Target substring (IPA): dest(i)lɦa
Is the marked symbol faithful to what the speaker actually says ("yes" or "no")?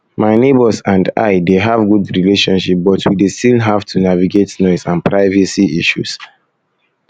yes